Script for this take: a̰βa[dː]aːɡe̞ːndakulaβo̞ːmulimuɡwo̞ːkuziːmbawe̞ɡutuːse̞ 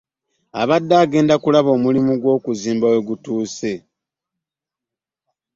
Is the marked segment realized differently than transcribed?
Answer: no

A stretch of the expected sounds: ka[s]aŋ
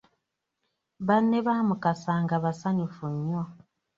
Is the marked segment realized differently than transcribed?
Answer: no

